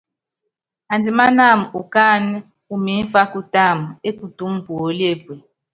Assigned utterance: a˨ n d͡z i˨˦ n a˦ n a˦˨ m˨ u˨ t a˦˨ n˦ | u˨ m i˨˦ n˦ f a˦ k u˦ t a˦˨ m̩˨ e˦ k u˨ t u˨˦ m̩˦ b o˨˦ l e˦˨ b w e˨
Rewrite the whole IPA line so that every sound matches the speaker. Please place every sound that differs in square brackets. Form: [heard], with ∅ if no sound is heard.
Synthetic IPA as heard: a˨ n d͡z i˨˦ [m] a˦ n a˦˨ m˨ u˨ [k] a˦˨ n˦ | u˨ m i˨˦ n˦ f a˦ k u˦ t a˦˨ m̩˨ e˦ k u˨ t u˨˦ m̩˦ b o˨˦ l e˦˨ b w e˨